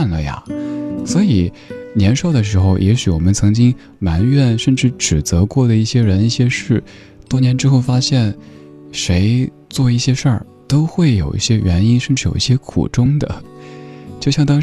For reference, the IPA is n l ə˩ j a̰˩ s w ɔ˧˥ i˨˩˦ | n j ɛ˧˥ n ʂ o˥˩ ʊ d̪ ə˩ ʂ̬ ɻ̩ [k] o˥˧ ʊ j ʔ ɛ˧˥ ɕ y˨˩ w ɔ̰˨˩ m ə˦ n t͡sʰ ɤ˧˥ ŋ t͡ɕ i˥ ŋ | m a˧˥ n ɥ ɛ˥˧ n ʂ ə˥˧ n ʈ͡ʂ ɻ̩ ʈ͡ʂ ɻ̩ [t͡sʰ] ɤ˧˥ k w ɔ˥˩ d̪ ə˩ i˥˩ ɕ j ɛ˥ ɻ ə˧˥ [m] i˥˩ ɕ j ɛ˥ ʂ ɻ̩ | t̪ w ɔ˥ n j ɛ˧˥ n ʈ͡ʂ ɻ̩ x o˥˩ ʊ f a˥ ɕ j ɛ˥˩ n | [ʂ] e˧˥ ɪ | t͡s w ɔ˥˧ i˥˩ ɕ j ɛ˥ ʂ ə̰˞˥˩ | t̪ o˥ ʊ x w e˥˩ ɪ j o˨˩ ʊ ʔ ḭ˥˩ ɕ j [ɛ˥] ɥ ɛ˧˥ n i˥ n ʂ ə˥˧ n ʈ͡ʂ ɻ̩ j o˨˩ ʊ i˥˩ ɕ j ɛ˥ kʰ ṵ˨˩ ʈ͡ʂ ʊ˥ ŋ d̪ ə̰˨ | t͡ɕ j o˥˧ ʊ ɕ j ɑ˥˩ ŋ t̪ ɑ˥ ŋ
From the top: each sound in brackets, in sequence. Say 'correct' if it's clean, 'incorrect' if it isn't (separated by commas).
incorrect, incorrect, incorrect, correct, correct